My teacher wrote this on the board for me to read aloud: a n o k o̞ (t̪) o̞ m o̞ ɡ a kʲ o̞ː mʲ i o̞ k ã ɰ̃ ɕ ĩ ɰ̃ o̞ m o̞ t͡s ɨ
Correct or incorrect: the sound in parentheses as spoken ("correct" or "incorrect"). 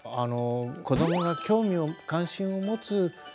incorrect